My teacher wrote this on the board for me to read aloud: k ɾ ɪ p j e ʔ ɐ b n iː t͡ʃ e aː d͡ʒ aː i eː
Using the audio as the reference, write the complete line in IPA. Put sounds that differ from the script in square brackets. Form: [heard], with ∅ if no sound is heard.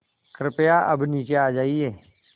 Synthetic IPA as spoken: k ɾ ɪ p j [a] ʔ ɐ b n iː t͡ʃ e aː d͡ʒ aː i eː